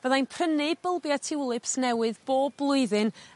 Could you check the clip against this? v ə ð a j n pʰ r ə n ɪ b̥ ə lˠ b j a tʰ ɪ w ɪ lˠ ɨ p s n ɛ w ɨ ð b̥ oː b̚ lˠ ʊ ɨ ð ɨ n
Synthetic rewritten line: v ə ð a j n pʰ r ə n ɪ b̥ ə lˠ b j a tʰ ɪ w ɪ lˠ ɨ p s n ɛ w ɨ ð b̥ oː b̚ lˠ ʊ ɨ ð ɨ n